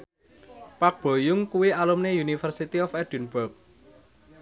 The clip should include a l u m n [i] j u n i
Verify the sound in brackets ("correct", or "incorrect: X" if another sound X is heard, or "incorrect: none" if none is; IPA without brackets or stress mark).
incorrect: e